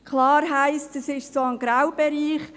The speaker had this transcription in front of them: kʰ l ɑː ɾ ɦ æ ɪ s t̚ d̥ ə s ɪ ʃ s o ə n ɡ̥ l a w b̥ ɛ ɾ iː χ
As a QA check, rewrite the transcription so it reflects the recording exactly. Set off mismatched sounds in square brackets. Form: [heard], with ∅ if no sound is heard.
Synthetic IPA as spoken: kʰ l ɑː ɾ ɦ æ ɪ s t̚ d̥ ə s ɪ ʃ s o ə n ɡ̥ [ɾ] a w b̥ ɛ ɾ iː χ